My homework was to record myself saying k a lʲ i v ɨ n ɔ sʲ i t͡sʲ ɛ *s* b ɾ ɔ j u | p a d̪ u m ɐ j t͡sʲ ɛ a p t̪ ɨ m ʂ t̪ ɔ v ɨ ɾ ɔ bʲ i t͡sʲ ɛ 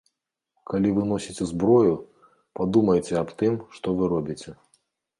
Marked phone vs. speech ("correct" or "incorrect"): incorrect